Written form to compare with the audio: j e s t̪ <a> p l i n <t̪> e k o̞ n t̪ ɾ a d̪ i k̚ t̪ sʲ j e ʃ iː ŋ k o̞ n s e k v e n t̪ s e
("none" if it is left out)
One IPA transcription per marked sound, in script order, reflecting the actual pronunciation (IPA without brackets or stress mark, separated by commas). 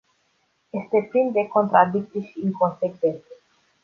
e, d̪